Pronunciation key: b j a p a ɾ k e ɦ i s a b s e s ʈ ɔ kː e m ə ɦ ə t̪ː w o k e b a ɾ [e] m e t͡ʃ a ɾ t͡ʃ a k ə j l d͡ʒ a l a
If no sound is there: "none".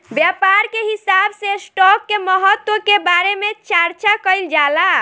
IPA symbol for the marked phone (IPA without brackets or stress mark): e